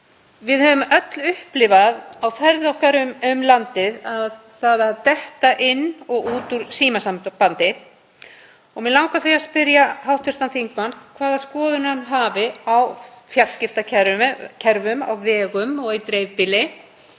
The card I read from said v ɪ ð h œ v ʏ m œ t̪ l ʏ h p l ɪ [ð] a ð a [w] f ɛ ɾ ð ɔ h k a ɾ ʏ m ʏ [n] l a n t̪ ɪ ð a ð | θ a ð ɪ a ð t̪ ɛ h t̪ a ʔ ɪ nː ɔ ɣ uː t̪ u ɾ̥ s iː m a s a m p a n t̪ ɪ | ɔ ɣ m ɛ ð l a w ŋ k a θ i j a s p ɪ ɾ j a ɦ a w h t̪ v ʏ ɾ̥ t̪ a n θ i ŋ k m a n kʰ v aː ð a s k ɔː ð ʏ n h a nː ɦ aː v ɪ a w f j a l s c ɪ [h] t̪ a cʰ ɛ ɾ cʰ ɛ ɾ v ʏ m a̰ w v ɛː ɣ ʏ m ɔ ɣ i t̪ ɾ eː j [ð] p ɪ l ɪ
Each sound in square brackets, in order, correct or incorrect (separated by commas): incorrect, correct, incorrect, incorrect, incorrect